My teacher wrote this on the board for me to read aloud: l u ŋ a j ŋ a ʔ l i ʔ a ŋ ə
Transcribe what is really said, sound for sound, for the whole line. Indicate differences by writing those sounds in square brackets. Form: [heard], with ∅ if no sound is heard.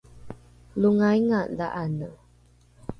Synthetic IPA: l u ŋ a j ŋ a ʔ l [a] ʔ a [n] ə